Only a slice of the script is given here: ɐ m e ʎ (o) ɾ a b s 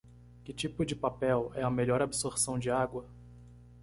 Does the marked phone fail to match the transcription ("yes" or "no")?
yes